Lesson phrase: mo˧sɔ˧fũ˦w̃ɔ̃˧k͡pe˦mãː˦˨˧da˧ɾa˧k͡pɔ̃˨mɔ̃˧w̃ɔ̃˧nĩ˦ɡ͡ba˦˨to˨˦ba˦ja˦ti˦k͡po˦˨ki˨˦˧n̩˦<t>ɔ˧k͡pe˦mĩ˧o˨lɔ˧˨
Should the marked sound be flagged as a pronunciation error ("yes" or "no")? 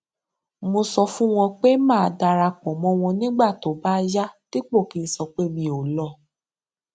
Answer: yes